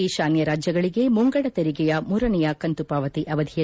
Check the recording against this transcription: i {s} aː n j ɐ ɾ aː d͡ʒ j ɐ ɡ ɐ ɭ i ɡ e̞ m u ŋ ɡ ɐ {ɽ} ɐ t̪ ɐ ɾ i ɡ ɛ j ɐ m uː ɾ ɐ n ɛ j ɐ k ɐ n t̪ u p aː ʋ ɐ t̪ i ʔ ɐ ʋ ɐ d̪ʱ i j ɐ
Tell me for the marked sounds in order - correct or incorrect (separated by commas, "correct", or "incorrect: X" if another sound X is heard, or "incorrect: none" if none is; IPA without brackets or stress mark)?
incorrect: ʃ, correct